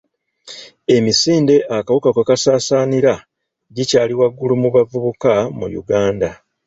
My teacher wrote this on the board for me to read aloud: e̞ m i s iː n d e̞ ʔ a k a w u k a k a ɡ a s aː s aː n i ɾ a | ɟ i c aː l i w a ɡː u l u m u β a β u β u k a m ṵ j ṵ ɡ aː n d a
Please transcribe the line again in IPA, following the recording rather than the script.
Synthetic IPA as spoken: e̞ m i s iː n d e̞ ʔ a k a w u k a k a k a s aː s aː n i ɾ a | ɟ i c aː l i w a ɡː u l u m u β a v u β u k a m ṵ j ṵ ɡ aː n d a